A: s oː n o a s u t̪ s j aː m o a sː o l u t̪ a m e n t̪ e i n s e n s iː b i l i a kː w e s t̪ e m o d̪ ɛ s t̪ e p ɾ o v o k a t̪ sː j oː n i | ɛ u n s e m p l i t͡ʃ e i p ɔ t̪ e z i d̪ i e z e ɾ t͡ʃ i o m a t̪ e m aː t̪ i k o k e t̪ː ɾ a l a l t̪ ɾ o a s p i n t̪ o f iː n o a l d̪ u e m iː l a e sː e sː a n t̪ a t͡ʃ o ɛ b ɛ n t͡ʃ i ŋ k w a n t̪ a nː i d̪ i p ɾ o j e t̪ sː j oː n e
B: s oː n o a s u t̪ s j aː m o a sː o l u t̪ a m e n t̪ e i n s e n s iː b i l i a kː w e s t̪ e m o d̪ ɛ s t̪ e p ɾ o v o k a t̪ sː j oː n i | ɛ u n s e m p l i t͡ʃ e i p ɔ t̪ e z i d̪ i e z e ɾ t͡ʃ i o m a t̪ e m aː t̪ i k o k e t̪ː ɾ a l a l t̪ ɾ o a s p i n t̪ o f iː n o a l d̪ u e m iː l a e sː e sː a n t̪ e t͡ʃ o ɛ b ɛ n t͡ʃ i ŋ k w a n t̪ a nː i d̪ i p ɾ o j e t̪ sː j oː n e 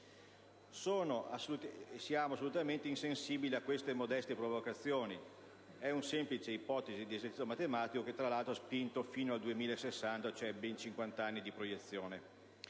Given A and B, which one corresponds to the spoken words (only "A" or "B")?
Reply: A